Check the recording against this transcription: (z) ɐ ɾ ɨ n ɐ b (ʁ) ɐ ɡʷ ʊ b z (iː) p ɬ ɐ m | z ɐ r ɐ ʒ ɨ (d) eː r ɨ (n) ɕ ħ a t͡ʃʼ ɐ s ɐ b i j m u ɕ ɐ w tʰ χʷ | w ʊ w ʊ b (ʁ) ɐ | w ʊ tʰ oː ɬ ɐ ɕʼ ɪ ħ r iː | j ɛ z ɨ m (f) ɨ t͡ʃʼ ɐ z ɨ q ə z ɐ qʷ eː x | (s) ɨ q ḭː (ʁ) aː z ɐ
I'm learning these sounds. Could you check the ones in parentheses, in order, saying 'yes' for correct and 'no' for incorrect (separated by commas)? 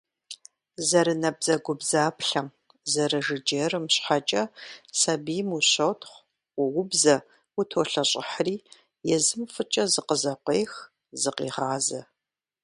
yes, no, no, no, no, no, yes, no, yes